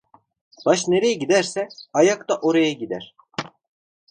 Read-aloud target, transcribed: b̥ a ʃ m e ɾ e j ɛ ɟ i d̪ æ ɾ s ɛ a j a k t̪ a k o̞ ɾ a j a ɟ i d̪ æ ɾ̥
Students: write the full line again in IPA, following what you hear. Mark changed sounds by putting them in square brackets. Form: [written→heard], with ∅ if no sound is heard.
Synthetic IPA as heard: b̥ a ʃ [m→n] e ɾ e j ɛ ɟ i d̪ æ ɾ s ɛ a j a k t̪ a [k→ʔ] o̞ ɾ a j a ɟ i d̪ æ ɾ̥

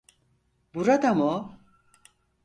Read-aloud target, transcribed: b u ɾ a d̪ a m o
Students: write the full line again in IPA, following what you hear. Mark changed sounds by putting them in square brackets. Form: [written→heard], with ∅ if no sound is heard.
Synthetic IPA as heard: b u ɾ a d̪ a m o

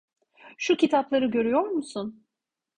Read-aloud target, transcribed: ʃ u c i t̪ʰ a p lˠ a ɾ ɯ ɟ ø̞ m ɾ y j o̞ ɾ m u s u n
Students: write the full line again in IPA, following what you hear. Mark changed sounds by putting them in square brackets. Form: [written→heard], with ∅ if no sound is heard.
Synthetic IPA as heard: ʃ u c i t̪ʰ a p lˠ a ɾ ɯ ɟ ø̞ [m→∅] ɾ y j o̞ ɾ m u s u n

